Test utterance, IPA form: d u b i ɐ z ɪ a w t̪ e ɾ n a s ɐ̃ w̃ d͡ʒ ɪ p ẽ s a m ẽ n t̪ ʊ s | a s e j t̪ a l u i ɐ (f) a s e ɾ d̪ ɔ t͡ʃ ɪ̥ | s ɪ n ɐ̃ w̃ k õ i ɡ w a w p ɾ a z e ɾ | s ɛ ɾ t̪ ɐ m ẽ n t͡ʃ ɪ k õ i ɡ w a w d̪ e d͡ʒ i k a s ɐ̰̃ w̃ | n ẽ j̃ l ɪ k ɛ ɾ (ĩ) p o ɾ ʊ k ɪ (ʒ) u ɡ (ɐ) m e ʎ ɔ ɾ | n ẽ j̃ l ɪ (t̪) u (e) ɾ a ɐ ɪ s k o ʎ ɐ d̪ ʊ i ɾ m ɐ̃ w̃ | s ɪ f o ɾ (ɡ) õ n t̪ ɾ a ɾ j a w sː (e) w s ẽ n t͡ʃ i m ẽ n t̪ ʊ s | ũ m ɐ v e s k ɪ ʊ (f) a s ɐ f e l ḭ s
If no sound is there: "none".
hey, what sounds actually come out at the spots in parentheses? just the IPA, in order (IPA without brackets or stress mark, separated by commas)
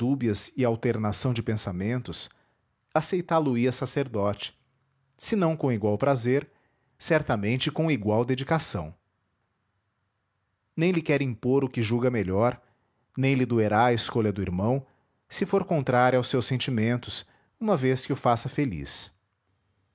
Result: s, ĩ, ʒ, ɐ, d̪, e, k, e, f